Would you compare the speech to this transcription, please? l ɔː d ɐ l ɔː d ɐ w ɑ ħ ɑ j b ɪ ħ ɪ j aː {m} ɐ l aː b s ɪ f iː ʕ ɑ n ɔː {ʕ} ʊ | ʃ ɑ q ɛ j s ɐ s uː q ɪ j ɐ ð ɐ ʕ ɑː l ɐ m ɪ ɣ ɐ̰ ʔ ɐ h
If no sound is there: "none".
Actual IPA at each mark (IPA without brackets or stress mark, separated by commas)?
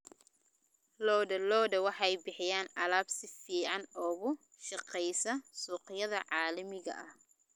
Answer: n, ɣ